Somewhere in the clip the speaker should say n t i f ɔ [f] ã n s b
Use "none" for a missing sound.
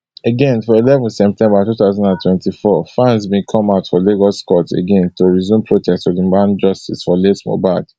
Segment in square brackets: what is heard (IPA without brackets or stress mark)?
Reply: f